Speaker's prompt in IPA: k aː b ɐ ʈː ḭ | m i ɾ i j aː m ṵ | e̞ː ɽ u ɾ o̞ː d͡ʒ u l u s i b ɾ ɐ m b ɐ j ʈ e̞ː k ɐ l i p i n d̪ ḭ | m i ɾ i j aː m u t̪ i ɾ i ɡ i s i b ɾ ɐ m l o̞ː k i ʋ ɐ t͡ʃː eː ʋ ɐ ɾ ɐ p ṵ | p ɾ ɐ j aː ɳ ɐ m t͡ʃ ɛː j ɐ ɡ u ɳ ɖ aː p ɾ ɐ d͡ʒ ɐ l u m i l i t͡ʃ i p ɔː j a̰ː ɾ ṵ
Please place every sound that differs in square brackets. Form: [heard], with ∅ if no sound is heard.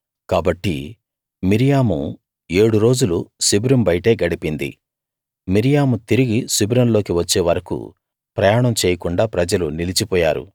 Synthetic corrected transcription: k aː b ɐ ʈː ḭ | m i ɾ i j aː m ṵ | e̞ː ɽ u ɾ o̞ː d͡ʒ u l u s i b ɾ ɐ m b ɐ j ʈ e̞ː [ɡ] ɐ [ɽ] i p i n d̪ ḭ | m i ɾ i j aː m u t̪ i ɾ i ɡ i s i b ɾ ɐ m l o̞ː k i ʋ ɐ t͡ʃː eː ʋ ɐ ɾ ɐ [k] ṵ | p ɾ ɐ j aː ɳ ɐ m t͡ʃ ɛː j ɐ [k] u ɳ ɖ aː p ɾ ɐ d͡ʒ ɐ l u [n] i l i t͡ʃ i p ɔː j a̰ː ɾ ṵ